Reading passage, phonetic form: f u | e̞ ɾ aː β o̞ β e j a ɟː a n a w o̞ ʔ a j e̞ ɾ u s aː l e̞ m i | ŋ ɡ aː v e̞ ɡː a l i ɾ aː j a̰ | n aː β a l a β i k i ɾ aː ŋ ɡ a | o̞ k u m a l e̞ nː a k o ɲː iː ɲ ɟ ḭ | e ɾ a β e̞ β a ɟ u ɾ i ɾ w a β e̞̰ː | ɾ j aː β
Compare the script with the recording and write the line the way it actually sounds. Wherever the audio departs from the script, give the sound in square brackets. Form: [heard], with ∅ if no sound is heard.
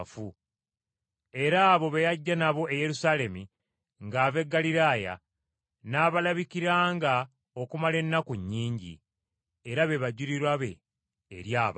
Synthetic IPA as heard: f u | e̞ ɾ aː β o̞ β e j a ɟː a n a [β] o̞ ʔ [e] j e̞ ɾ u s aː l e̞ m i | ŋ ɡ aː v e̞ ɡː a l i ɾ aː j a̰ | n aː β a l a β i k i ɾ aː ŋ ɡ a | o̞ k u m a l e̞ nː a k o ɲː iː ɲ ɟ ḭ | e ɾ a β e̞ β a ɟ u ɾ i ɾ w a β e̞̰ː | ɾ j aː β